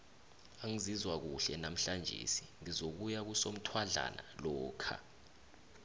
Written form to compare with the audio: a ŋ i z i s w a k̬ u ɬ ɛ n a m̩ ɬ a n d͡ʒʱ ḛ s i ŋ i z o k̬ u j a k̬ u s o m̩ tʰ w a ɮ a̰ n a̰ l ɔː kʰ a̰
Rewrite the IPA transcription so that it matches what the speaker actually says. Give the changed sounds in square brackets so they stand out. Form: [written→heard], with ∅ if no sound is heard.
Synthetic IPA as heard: a ŋ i z i [s→z] w a k̬ u ɬ ɛ n a m̩ ɬ a n d͡ʒʱ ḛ s i ŋ i z o k̬ u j a k̬ u s o m̩ tʰ w a ɮ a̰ n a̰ l ɔː kʰ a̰